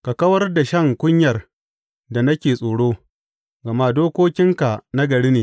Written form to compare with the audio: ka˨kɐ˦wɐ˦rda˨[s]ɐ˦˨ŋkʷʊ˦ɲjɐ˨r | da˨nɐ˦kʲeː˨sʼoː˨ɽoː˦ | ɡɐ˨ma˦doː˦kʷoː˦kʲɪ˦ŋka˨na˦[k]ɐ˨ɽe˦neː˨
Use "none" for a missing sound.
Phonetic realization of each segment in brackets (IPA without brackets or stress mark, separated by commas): ʃ, ɡ